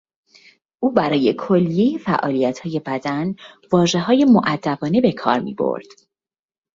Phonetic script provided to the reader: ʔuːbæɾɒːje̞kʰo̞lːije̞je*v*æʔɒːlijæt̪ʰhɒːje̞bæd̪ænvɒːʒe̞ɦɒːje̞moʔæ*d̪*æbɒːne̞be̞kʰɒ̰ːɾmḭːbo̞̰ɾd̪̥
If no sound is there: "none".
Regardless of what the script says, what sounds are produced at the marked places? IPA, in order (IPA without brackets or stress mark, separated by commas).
f, d̪ː